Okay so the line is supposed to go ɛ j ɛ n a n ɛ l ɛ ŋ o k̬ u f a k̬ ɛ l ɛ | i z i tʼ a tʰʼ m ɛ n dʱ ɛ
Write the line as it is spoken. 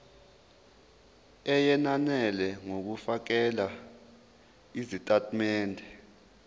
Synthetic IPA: ɛ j ɛ n a n ɛ l ɛ ŋ o k̬ u f a k̬ ɛ l a | i z i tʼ a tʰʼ m ɛː n dʱ ɛ